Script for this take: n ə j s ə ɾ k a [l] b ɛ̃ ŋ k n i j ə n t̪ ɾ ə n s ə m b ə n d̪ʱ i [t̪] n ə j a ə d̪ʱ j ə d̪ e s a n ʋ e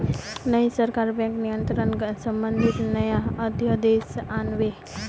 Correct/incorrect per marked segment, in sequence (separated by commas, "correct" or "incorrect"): incorrect, correct